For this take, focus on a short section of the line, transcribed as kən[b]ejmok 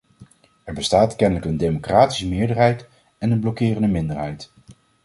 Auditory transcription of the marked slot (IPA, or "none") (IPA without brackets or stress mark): d